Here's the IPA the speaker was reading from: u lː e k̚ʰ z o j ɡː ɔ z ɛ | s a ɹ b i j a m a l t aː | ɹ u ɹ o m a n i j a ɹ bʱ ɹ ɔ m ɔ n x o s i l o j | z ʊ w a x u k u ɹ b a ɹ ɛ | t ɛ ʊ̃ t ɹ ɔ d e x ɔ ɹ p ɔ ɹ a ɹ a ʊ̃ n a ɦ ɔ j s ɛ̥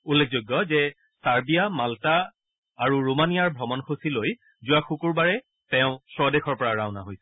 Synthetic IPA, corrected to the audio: u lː e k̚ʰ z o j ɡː ɔ z ɛ | s a ɹ b i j a m a l t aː | ɹ u ɹ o m a n i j a ɹ bʱ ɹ ɔ m ɔ n x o s i l o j | z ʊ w a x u k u ɹ b a ɹ ɛ | t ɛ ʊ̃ s ɹ ɔ d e x ɔ ɹ p ɔ ɹ a ɹ a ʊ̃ n a ɦ o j s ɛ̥